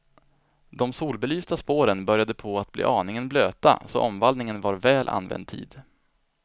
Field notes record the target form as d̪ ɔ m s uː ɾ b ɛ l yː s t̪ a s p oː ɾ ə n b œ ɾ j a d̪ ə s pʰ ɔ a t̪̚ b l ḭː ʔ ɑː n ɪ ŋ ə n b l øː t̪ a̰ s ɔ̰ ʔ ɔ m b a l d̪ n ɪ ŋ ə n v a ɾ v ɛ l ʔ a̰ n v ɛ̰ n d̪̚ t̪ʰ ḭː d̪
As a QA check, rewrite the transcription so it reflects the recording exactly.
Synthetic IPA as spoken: d̪ ɔ m s uː l b ɛ l yː s t̪ a s p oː ɾ ə n b œ ɾ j a d̪ ə pʰ ɔ a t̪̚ b l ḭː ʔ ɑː n ɪ ŋ ə n b l øː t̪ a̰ s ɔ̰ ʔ ɔ m v a l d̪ n ɪ ŋ ə n v a ɾ v ɛː l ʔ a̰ n v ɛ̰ n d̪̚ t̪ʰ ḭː d̪